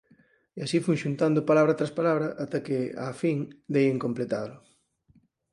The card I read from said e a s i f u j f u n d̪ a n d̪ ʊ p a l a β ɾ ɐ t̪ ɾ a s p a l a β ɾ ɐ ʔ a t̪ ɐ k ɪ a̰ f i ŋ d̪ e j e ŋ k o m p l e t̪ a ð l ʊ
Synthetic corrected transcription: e a s i f u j ʃ u n t̪ a n d̪ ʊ p a l a β ɾ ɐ t̪ ɾ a s p a l a β ɾ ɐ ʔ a t̪ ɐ k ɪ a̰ f i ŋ d̪ e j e ŋ k o m p l e t̪ a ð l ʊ